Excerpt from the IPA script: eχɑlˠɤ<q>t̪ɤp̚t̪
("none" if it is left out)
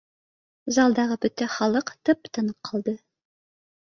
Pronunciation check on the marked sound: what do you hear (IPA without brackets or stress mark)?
q